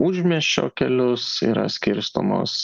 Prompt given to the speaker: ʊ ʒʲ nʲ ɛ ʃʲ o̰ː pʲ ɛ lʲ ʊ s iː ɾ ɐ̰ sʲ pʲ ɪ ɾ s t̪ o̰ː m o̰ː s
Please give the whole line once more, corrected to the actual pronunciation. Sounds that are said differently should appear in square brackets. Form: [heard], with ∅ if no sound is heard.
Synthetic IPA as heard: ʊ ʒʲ [mʲ] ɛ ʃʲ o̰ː [kʲ] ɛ lʲ ʊ s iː ɾ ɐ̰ sʲ [kʲ] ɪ ɾ s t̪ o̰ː m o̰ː s